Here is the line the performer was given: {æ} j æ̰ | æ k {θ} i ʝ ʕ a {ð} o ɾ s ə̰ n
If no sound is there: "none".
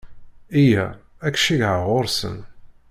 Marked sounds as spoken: i, ʃ, ʁ

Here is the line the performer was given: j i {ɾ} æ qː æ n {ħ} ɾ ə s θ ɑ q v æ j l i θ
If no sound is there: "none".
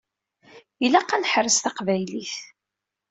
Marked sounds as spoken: l, ħ

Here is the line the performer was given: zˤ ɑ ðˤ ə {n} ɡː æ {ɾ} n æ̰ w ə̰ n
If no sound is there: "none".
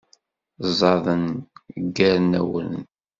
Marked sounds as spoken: n, ɾ

